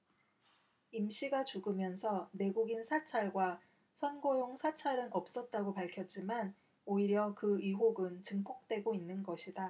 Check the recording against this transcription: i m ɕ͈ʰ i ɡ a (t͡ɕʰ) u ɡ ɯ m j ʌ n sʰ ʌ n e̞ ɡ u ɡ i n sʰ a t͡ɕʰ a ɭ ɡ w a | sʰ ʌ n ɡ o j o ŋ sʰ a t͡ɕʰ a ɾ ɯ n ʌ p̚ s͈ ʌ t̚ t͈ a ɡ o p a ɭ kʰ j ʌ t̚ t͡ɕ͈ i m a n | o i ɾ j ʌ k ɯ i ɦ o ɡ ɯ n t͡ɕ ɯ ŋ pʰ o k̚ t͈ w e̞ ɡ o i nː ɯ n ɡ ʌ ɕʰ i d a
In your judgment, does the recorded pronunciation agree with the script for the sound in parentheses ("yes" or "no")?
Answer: no